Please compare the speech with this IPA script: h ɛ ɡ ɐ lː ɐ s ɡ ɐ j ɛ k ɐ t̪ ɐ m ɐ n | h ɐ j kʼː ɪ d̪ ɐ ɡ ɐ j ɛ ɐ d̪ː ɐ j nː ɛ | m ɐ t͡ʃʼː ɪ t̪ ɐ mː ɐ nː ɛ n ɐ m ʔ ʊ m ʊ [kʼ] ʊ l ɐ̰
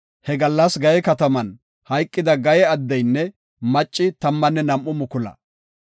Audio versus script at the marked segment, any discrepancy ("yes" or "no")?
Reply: yes